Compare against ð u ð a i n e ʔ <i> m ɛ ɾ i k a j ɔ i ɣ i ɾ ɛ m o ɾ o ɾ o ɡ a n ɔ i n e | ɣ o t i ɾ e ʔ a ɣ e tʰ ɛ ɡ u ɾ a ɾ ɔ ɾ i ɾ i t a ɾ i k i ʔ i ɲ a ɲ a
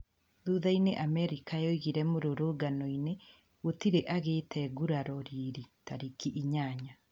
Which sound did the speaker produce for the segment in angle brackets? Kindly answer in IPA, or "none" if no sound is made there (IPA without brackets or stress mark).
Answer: a